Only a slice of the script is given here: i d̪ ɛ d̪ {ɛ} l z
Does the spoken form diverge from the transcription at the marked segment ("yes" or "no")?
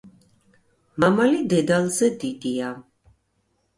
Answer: yes